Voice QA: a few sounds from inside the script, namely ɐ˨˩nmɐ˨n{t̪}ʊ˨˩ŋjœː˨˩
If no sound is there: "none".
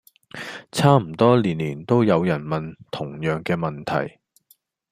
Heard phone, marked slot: t̪ʰ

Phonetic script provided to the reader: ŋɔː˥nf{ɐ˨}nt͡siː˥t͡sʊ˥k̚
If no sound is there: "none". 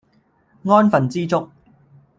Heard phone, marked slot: ɐ˨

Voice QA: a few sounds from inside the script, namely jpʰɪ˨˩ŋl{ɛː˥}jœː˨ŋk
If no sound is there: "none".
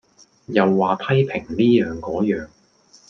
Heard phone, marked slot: iː˥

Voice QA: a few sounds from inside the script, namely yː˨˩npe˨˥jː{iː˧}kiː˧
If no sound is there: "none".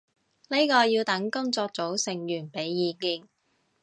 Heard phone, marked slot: iː˧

